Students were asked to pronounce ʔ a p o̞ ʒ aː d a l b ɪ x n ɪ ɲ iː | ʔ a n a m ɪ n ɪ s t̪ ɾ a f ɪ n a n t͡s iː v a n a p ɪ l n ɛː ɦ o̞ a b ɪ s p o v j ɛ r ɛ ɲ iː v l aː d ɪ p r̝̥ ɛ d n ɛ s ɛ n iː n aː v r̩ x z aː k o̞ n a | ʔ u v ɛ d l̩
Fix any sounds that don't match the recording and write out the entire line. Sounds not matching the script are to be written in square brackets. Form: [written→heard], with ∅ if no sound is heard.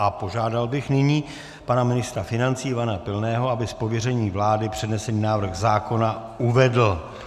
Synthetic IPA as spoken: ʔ a p o̞ ʒ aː d a l b ɪ x n ɪ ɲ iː | [ʔ→p] a n a m ɪ n ɪ s t̪ ɾ a f ɪ n a n t͡s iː v a n a p ɪ l n ɛː ɦ o̞ a b ɪ s p o v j ɛ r ɛ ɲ iː v l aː d ɪ p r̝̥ ɛ d n ɛ s ɛ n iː n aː v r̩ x z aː k o̞ n a | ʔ u v ɛ d l̩